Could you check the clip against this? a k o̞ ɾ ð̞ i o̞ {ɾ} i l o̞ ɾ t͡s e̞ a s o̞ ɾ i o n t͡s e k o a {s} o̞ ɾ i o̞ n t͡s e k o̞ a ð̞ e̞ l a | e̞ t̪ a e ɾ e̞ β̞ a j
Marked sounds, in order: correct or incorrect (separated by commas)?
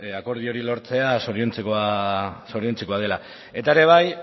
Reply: correct, correct